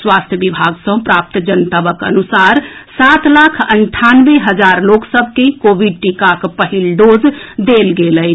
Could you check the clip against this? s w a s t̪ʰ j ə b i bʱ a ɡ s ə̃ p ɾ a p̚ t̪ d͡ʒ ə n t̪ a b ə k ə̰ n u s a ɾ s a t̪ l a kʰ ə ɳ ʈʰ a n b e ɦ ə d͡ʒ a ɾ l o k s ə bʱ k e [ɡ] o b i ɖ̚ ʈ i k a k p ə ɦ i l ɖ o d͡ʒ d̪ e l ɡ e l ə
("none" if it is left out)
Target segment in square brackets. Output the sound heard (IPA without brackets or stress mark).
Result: k